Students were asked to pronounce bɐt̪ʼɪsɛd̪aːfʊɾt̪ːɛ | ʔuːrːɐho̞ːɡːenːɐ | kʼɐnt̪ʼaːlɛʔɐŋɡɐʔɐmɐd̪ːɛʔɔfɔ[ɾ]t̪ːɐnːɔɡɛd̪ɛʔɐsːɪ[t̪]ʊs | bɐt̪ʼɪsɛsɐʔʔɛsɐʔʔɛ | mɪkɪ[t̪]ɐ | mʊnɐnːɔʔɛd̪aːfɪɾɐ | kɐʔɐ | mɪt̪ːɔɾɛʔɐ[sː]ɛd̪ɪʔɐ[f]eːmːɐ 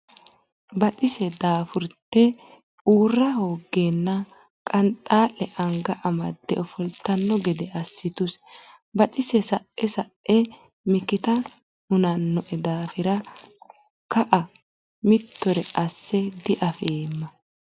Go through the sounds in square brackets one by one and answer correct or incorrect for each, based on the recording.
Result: incorrect: l, correct, correct, correct, correct

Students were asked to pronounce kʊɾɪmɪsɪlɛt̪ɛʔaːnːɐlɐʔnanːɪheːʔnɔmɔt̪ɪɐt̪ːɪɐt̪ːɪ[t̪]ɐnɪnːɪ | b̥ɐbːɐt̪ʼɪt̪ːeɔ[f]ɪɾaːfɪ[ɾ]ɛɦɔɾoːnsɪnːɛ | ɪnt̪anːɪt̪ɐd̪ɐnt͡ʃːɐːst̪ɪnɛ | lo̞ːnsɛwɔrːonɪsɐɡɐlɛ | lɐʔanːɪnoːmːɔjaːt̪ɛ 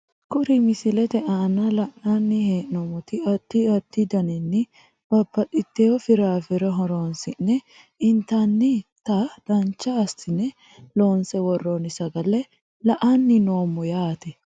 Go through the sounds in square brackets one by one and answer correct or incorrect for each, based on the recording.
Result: incorrect: d̪, correct, correct

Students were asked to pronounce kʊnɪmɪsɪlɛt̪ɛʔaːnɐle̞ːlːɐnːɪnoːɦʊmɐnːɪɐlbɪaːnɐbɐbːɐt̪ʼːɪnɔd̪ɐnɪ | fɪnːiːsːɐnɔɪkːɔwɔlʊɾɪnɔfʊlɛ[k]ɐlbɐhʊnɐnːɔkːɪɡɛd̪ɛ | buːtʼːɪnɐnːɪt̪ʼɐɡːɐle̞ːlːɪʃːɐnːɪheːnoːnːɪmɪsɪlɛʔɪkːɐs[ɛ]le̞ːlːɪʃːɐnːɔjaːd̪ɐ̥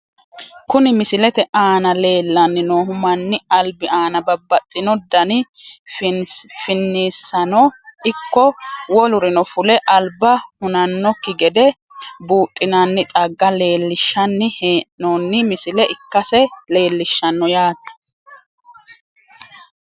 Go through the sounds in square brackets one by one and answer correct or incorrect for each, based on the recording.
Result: incorrect: ʔ, correct

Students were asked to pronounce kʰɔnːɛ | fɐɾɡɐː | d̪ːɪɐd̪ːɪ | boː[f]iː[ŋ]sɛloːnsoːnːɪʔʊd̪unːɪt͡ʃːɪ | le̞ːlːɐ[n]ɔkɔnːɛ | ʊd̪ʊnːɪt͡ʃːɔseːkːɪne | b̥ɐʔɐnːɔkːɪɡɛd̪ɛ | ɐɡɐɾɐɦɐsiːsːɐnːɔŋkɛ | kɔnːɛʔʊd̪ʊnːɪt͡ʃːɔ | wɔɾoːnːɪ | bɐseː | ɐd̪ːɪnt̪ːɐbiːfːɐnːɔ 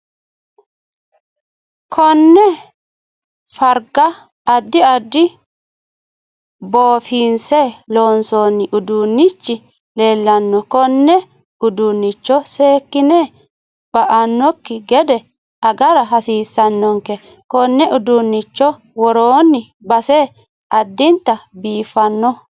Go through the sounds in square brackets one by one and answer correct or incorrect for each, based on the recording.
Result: correct, incorrect: n, incorrect: nː

